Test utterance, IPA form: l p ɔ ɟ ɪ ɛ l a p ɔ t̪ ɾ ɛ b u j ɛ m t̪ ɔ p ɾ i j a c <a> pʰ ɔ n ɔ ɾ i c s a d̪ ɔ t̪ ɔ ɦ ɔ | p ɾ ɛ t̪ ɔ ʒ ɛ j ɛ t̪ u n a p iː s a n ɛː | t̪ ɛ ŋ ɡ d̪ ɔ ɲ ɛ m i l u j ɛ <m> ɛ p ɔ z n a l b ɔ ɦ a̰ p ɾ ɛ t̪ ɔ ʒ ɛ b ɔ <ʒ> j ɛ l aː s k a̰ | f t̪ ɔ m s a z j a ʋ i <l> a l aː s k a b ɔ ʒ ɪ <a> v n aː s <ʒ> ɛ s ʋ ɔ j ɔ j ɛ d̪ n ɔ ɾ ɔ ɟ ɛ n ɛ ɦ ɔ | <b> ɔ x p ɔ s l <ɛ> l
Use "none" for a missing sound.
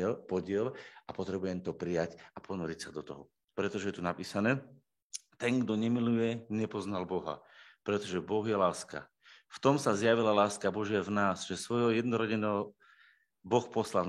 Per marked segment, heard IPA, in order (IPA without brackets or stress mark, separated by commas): a, ɲ, ɣ, l, a, ʒ, b, a